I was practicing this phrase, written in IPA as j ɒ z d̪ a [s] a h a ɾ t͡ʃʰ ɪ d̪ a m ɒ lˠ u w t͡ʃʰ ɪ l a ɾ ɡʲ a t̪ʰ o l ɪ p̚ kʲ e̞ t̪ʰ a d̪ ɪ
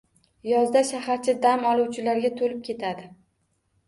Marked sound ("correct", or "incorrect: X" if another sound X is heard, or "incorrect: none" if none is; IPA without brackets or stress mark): incorrect: ʃ